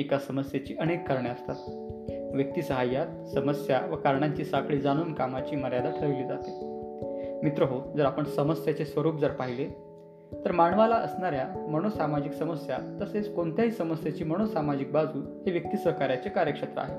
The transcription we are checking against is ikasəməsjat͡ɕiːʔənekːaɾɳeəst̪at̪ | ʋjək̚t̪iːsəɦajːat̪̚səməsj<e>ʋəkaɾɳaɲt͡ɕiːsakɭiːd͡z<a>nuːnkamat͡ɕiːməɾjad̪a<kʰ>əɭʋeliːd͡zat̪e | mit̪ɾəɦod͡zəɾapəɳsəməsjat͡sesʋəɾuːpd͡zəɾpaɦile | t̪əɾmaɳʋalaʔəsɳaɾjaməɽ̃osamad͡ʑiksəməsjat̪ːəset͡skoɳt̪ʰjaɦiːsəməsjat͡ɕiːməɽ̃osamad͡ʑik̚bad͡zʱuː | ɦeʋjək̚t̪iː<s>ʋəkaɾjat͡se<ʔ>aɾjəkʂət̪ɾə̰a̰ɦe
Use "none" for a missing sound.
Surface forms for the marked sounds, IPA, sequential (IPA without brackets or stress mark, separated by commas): a, a, ʈʰ, s, k